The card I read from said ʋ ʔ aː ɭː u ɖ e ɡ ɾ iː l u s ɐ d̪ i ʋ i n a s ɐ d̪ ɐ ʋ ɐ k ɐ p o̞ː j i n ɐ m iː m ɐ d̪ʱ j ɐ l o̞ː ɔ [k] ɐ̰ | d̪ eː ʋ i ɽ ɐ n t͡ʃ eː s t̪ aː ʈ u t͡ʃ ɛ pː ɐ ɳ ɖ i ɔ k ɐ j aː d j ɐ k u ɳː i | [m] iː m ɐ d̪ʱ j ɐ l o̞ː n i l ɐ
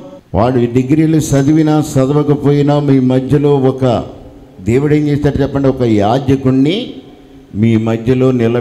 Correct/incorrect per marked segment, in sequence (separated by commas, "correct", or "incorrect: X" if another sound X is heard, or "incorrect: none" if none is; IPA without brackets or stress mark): correct, correct